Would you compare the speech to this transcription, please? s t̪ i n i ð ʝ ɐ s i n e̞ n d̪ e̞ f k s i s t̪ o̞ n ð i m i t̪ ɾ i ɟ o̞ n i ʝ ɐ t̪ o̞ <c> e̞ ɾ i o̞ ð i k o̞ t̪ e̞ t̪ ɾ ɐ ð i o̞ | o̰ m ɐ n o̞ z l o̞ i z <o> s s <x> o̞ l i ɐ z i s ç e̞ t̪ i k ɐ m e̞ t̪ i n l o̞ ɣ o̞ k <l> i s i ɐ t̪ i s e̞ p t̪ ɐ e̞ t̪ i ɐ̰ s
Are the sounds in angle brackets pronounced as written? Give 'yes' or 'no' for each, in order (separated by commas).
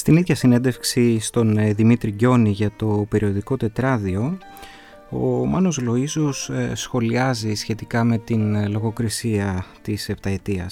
no, yes, yes, no